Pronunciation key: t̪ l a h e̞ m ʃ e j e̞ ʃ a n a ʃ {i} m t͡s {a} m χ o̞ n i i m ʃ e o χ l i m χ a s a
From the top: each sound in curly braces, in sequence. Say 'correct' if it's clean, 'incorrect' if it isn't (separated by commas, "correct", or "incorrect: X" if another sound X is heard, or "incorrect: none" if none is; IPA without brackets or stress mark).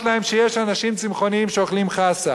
correct, incorrect: i